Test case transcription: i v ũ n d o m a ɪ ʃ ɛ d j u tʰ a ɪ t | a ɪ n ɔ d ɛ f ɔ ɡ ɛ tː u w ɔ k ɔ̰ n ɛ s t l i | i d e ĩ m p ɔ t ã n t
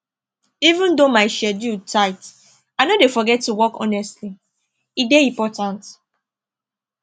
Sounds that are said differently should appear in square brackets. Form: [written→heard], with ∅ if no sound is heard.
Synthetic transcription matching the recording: i v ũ n d o m a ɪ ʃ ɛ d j u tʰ a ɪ t | a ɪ n [ɔ→o] d [ɛ→e] f ɔ ɡ ɛ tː u w ɔ k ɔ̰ n ɛ s t l i | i d e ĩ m p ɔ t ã n t